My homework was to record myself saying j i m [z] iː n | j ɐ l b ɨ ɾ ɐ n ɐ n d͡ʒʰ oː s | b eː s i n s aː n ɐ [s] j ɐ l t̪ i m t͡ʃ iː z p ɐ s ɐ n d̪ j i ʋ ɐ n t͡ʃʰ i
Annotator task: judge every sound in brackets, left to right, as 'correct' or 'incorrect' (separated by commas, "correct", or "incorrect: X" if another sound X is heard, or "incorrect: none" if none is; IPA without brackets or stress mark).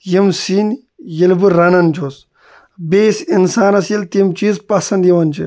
incorrect: s, correct